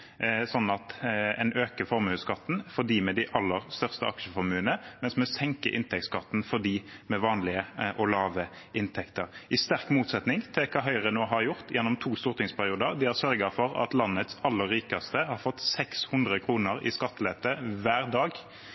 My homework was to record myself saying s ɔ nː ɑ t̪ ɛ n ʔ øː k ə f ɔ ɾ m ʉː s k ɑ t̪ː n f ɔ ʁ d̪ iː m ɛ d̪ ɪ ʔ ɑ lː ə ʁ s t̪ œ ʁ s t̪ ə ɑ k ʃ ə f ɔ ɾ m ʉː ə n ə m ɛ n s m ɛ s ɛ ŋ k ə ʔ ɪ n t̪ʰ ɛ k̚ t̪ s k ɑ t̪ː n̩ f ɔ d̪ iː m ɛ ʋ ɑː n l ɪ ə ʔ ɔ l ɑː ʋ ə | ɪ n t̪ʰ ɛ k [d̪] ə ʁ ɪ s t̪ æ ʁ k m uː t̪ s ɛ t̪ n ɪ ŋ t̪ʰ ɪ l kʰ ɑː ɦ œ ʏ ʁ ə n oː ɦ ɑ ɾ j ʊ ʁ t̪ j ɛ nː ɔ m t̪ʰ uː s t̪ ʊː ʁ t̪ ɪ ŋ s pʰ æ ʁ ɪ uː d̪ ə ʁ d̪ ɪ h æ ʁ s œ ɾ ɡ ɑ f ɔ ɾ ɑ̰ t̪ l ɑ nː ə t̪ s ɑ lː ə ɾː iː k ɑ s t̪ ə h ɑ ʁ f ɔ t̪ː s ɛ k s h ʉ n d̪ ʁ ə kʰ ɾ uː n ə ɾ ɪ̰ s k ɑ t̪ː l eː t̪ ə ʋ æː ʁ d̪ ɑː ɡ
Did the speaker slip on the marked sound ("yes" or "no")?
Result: yes